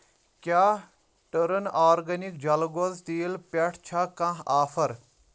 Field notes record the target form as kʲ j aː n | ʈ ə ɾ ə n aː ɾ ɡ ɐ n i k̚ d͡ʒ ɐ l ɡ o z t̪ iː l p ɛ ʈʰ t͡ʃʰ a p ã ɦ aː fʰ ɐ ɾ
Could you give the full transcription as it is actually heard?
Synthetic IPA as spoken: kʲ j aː | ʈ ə ɾ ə n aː ɾ ɡ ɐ n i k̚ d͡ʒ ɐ l ɡ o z t̪ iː l p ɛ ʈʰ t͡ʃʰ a k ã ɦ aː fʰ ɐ ɾ